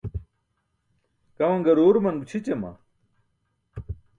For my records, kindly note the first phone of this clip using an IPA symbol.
k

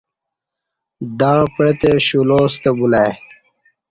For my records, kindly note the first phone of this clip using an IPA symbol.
d̪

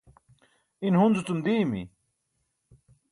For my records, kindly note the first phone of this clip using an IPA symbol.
i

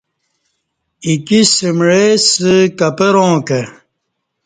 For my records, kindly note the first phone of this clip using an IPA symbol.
i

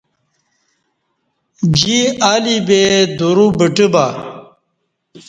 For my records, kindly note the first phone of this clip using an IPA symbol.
d͡ʑ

